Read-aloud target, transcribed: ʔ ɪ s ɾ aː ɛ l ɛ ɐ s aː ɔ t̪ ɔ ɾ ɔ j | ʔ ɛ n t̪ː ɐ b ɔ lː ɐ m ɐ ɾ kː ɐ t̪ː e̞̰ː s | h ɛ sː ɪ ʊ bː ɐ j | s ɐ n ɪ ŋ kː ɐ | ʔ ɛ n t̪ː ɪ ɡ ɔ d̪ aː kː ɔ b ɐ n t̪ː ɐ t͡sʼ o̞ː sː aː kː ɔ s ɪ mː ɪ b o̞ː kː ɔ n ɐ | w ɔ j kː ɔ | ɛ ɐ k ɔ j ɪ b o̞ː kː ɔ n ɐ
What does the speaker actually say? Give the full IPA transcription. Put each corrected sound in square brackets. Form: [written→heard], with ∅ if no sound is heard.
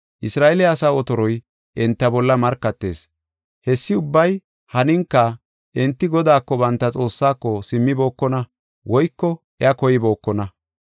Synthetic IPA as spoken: ʔ ɪ s ɾ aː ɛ l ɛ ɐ s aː ɔ t̪ ɔ ɾ ɔ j | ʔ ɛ n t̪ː ɐ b ɔ lː ɐ m ɐ ɾ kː ɐ t̪ː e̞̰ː s | h ɛ sː ɪ ʊ bː ɐ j | [s→h] ɐ n ɪ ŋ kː ɐ | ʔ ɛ n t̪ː ɪ ɡ ɔ d̪ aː kː ɔ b ɐ n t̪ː ɐ t͡sʼ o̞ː sː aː kː ɔ s ɪ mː ɪ b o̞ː kː ɔ n ɐ | w ɔ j kː ɔ | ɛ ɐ k ɔ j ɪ b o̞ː kː ɔ n ɐ

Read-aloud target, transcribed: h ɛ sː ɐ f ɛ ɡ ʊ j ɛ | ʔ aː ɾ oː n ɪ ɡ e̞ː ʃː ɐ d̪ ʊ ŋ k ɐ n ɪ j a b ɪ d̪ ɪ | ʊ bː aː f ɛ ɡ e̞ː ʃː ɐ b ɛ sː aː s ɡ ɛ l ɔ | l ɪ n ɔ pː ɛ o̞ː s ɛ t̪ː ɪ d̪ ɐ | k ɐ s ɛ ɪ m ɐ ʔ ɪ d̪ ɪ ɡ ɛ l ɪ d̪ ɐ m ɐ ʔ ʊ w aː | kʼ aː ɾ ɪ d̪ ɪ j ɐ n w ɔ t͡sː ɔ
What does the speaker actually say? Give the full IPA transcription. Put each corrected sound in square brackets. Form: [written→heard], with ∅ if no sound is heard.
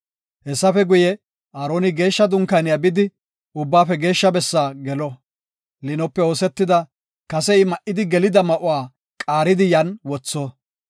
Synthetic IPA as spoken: h ɛ sː ɐ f ɛ ɡ ʊ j ɛ | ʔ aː ɾ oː n ɪ ɡ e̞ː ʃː ɐ d̪ ʊ ŋ k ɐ n ɪ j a b ɪ d̪ ɪ | ʊ bː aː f ɛ ɡ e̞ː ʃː ɐ b ɛ sː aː [s→∅] ɡ ɛ l ɔ | l ɪ n ɔ pː ɛ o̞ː s ɛ t̪ː ɪ d̪ ɐ | k ɐ s ɛ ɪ m ɐ ʔ ɪ d̪ ɪ ɡ ɛ l ɪ d̪ ɐ m ɐ ʔ ʊ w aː | kʼ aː ɾ ɪ d̪ ɪ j ɐ n w ɔ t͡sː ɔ

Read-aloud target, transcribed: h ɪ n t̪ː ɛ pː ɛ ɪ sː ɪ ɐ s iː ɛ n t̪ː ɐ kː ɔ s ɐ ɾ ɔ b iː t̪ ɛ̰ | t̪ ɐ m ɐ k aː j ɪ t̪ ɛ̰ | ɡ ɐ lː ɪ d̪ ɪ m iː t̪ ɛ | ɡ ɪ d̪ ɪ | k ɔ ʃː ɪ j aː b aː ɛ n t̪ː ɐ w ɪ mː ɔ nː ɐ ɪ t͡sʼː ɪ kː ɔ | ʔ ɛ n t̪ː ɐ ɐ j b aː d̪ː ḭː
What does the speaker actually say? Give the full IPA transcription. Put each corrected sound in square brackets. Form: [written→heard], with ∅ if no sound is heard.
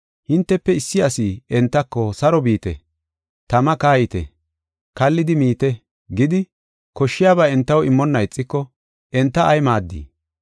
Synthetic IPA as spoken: h ɪ n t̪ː ɛ pː ɛ ɪ sː ɪ ɐ s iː ɛ n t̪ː ɐ kː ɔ s ɐ ɾ ɔ b iː t̪ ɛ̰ | t̪ ɐ m ɐ k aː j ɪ t̪ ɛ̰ | [ɡ→k] ɐ lː ɪ d̪ ɪ m iː t̪ ɛ | ɡ ɪ d̪ ɪ | k ɔ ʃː ɪ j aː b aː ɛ n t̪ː ɐ w ɪ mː ɔ nː ɐ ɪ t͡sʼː ɪ kː ɔ | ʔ ɛ n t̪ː ɐ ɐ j [b→m] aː d̪ː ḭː

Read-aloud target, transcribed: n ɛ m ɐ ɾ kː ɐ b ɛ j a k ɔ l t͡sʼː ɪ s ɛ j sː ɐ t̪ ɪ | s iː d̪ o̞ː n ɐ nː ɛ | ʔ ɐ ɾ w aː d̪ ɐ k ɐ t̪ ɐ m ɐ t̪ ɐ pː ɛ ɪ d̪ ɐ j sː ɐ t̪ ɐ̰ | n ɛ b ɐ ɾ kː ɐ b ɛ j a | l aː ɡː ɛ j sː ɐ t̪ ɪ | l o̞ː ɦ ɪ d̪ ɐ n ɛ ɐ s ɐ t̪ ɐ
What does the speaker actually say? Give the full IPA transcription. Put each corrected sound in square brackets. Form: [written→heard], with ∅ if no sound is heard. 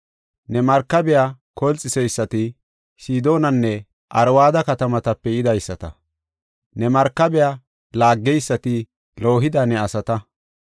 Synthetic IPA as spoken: n ɛ m ɐ ɾ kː ɐ b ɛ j a k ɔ l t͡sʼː ɪ s ɛ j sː ɐ t̪ ɪ | s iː d̪ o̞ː n ɐ nː ɛ | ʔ ɐ ɾ w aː d̪ ɐ k ɐ t̪ ɐ m ɐ t̪ ɐ pː ɛ ɪ d̪ ɐ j sː ɐ t̪ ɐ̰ | n ɛ [b→m] ɐ ɾ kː ɐ b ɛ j a | l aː ɡː ɛ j sː ɐ t̪ ɪ | l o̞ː ɦ ɪ d̪ ɐ n ɛ ɐ s ɐ t̪ ɐ

